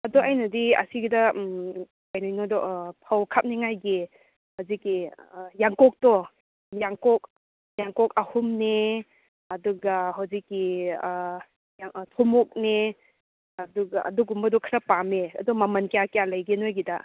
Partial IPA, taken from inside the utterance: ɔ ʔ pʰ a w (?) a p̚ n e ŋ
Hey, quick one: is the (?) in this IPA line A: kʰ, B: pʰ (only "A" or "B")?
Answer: A